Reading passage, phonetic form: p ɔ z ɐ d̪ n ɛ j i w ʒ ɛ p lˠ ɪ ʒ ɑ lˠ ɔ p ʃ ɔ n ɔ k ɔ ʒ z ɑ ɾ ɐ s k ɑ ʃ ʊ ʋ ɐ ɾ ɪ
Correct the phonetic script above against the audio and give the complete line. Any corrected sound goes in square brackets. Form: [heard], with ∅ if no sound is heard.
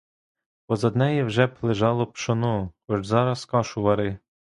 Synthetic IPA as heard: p ɔ z ɐ d̪ n ɛ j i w ʒ ɛ p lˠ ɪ ʒ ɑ lˠ ɔ p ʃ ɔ n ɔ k ɔ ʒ z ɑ ɾ ɐ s k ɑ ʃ ʊ ʋ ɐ ɾ ɪ

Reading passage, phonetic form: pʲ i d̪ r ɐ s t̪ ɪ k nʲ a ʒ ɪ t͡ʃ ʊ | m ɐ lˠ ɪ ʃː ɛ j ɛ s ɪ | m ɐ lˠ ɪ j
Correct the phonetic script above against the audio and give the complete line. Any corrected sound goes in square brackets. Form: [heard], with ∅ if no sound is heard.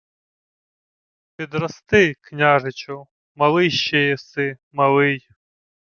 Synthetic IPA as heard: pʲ i d̪ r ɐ s t̪ ɪ k nʲ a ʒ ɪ t͡ʃ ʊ | m ɐ lˠ ɪ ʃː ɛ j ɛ s ɪ | m ɐ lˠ ɪ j

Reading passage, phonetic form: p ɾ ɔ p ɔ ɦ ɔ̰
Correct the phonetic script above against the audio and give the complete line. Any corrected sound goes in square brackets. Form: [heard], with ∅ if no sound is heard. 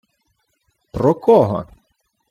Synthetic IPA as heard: p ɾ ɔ [k] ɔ ɦ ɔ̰

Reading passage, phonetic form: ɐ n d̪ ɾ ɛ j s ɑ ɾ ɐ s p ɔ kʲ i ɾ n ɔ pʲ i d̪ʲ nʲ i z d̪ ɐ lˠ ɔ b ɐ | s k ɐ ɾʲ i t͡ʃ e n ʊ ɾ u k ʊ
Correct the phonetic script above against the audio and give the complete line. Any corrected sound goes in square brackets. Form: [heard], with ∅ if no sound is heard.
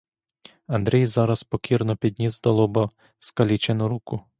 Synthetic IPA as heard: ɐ n d̪ ɾ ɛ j [z] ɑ ɾ ɐ s p ɔ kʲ i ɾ n ɔ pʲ i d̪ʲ nʲ i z d̪ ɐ lˠ ɔ b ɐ | s k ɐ [lʲ] i t͡ʃ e n ʊ ɾ u k ʊ

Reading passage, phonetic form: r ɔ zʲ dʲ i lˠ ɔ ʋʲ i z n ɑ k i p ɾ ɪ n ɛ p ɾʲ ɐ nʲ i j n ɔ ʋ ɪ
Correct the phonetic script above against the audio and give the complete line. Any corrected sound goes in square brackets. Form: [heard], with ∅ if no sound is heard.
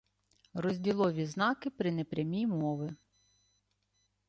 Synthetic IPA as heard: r ɔ zʲ dʲ i lˠ ɔ ʋʲ i z n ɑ k [ɪ] p ɾ ɪ n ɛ p ɾʲ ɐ [mʲ] i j [m] ɔ ʋ ɪ

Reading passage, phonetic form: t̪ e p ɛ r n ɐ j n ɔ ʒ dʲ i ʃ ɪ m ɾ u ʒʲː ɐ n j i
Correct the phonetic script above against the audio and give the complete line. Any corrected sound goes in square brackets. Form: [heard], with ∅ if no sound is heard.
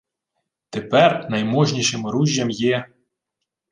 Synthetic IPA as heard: t̪ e p ɛ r n ɐ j [m] ɔ ʒ [nʲ] i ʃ ɪ m ɾ u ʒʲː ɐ [m] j [ɛ]

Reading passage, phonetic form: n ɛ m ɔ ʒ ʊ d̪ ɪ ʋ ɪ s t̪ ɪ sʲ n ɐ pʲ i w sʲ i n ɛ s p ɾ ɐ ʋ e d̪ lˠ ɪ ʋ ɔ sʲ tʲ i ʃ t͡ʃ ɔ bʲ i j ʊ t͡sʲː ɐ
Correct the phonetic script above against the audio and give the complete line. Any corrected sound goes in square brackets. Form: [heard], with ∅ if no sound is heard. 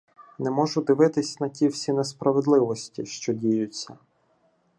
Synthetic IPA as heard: n ɛ m ɔ ʒ ʊ d̪ ɪ ʋ ɪ [∅] t̪ ɪ sʲ n ɐ [tʲ] i w sʲ i n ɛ s p ɾ ɐ ʋ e d̪ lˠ ɪ ʋ ɔ sʲ tʲ i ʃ t͡ʃ ɔ [dʲ] i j ʊ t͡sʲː ɐ

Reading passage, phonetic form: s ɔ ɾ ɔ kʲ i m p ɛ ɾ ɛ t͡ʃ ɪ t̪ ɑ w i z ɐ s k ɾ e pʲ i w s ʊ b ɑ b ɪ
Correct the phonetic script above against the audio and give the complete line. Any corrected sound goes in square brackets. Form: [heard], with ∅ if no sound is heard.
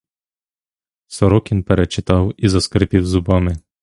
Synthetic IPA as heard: s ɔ ɾ ɔ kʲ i [n] p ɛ ɾ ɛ t͡ʃ ɪ t̪ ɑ w i z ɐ s k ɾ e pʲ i w [z] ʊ b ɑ [m] ɪ

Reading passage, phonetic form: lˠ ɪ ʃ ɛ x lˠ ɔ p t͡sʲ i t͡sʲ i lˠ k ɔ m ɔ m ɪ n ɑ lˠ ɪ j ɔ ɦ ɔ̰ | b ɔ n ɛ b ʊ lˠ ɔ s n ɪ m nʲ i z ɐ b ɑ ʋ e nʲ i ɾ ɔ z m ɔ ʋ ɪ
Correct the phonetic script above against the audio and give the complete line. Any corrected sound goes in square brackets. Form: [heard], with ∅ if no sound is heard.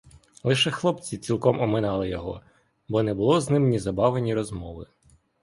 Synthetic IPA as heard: lˠ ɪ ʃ ɛ x lˠ ɔ p t͡sʲ i t͡sʲ i lˠ k ɔ m ɔ m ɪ n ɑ lˠ ɪ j ɔ ɦ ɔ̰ | b ɔ n ɛ b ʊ lˠ ɔ [z] n ɪ m nʲ i z ɐ b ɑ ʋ e nʲ i ɾ ɔ z m ɔ ʋ ɪ

